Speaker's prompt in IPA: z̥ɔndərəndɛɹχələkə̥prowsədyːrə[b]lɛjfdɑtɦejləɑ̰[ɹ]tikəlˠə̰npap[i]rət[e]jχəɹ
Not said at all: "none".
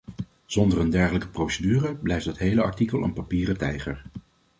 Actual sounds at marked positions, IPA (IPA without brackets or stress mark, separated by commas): b, ɹ, iː, ɛ